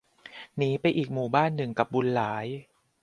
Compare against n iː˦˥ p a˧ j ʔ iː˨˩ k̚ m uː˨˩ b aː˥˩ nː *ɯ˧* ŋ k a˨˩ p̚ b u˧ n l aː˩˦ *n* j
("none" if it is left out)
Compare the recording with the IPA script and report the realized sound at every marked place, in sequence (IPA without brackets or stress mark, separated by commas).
ɯ˨˩, none